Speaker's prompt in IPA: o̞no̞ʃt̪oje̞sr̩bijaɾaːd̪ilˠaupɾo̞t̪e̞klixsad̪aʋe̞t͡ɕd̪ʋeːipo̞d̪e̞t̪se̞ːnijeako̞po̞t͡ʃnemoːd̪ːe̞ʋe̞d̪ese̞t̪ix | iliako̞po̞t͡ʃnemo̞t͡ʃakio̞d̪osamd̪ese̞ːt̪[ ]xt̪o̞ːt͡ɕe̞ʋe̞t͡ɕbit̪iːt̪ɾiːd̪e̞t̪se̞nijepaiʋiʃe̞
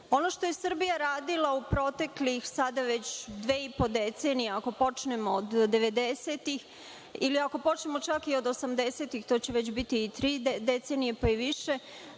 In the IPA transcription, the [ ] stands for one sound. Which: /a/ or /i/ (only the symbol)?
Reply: i